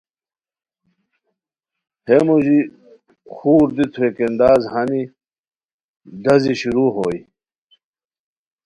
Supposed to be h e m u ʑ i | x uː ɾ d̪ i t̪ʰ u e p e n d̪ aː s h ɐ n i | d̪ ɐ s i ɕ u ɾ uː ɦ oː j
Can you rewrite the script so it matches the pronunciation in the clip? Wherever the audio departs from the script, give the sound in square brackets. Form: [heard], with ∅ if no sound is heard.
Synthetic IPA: h e m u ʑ i | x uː ɾ d̪ i t̪ʰ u e [k] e n d̪ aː [z] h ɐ n i | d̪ ɐ [z] i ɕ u ɾ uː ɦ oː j